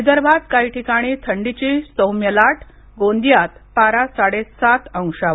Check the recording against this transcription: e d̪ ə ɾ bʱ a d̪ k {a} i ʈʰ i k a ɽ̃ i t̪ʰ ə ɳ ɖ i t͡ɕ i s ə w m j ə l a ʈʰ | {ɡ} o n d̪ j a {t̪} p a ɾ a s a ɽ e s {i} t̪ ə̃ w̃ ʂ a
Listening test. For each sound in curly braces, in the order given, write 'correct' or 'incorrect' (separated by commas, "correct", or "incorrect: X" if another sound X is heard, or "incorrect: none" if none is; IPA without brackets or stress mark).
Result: correct, correct, correct, incorrect: a